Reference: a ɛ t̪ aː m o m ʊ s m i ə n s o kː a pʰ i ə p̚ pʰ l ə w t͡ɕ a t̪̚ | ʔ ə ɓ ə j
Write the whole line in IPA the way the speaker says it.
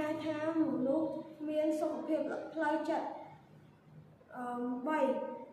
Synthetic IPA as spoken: a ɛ t̪ʰ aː m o n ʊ h m i ə n s o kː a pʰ i ə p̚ pʰ l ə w t͡ɕ ə t̪̚ | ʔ ə ɓ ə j